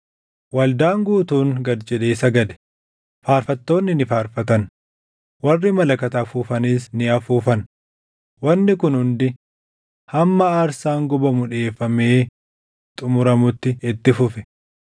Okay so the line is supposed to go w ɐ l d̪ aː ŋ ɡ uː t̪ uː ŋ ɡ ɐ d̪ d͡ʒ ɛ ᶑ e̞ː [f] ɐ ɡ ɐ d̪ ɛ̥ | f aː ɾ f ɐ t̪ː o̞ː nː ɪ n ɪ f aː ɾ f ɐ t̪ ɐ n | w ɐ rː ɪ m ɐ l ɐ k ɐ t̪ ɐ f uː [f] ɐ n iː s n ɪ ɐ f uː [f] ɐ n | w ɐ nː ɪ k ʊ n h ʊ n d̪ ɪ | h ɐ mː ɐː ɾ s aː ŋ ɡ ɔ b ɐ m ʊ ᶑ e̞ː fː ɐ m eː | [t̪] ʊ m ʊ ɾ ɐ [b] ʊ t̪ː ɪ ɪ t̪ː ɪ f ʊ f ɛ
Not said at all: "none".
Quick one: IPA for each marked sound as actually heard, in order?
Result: s, f, f, t̪ʼ, m

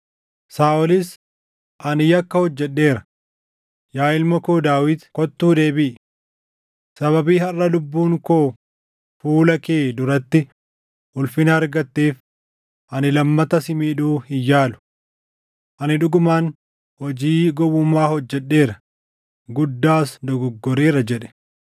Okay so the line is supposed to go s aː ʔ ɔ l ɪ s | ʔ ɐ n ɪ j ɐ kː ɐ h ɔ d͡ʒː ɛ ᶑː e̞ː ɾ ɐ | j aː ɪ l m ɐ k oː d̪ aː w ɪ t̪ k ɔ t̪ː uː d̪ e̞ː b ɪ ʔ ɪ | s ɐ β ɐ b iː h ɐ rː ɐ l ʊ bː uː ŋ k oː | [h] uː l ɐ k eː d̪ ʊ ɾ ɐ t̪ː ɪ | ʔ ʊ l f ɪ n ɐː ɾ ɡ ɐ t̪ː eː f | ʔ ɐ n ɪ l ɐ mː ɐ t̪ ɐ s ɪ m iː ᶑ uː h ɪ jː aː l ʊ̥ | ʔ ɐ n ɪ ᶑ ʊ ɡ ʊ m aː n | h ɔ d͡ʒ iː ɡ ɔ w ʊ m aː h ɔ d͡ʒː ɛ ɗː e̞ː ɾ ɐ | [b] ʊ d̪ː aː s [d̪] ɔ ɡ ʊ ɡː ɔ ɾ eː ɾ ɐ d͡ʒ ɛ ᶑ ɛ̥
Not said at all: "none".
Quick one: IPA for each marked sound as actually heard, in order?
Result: f, ɡ, d̪

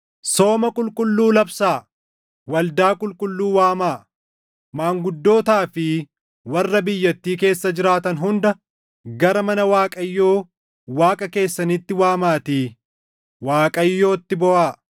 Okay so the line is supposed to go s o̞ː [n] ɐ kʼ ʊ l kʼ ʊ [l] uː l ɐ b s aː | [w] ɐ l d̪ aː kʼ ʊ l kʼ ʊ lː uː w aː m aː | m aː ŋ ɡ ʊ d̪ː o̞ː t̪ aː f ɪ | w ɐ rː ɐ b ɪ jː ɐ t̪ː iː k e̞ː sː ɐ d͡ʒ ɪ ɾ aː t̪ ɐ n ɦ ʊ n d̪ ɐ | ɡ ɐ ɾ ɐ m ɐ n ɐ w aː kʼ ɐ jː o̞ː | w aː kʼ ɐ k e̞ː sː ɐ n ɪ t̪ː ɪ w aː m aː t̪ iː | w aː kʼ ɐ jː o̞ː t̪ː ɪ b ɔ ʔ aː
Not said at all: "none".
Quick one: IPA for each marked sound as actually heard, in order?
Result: m, lː, w

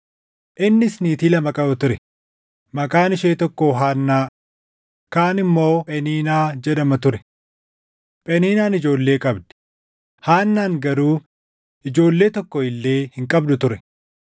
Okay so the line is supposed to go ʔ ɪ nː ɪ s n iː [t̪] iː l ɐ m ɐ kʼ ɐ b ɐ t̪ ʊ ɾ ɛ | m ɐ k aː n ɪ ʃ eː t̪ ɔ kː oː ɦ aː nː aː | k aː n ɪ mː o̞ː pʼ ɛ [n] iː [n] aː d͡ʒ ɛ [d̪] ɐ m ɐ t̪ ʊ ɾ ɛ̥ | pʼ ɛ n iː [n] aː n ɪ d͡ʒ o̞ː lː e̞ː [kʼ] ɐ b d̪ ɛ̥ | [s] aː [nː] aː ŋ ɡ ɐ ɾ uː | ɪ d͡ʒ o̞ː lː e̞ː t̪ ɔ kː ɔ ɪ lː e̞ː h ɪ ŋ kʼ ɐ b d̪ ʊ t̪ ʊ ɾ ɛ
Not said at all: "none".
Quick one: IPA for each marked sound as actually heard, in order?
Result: t̪, n, n, d̪, n, kʼ, h, nː

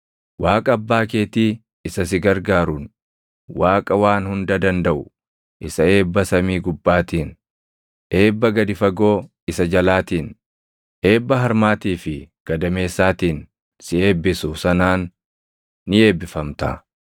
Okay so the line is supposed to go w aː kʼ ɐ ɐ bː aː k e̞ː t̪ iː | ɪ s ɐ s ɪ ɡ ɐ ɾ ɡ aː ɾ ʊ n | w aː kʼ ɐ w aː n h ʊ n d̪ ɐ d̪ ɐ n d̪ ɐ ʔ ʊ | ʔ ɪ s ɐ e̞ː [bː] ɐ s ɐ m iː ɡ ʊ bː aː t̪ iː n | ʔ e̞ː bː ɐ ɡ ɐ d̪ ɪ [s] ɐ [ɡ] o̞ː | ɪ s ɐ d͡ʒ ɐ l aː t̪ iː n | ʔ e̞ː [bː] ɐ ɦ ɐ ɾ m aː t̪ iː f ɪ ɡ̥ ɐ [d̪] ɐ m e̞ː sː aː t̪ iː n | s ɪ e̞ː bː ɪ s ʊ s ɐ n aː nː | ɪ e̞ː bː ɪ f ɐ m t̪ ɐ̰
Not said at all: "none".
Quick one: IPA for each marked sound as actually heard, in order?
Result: bː, f, ɡ, bː, d̪

